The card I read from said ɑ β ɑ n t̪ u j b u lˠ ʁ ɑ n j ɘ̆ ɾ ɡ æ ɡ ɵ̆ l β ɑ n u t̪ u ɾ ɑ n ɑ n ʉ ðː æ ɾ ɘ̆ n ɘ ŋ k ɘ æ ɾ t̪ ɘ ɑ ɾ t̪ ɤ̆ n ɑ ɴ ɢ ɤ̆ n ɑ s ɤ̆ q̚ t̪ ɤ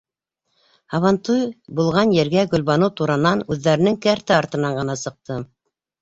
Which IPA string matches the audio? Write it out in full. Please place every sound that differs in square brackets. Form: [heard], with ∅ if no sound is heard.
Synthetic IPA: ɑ β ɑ n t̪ u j b u lˠ ʁ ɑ n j ɘ̆ ɾ ɡ æ ɡ ɵ̆ l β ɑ n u t̪ u ɾ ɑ n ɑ n ʉ ðː æ ɾ ɘ̆ n ɘ ŋ k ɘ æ ɾ t̪ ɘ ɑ ɾ t̪ ɤ̆ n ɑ ɴ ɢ ɤ̆ n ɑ s ɤ̆ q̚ t̪ ɤ